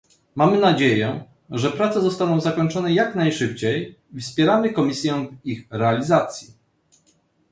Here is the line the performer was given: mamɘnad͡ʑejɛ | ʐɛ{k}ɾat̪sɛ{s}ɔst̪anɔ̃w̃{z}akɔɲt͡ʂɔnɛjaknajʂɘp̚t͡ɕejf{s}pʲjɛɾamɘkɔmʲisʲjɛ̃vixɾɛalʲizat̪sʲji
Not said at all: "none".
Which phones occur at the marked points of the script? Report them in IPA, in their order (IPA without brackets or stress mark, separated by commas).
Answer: p, z, z, s